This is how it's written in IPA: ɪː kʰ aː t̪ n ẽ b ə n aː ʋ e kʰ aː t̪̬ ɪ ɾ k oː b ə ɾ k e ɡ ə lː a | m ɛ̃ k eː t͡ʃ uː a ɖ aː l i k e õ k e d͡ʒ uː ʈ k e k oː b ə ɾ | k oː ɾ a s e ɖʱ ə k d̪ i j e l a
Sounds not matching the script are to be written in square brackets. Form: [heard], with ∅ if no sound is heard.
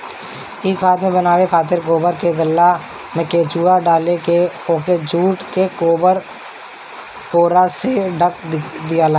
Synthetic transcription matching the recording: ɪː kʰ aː t̪ [m] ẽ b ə n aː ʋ e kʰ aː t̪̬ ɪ ɾ k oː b ə ɾ k e ɡ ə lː a | m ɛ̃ k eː t͡ʃ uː a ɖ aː l [e] k e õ k e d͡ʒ uː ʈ k e k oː b ə ɾ | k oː ɾ a s e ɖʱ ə k d̪ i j [a] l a